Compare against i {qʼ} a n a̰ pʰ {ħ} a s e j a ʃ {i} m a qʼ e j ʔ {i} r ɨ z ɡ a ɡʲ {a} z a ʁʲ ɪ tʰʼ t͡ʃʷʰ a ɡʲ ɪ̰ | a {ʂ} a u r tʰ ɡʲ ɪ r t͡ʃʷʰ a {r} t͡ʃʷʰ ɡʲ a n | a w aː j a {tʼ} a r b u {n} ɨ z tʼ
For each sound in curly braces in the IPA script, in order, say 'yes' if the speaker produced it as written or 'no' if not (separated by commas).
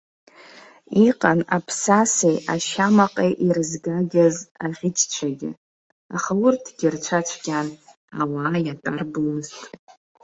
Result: yes, no, no, yes, yes, no, no, yes, no